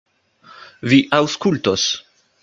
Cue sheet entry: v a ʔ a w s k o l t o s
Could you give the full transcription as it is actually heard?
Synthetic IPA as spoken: v i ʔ a w s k u l t o s